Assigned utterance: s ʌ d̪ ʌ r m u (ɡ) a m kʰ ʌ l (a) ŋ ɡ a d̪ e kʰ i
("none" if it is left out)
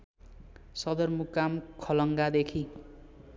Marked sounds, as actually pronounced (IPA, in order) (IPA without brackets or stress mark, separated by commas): k, ʌ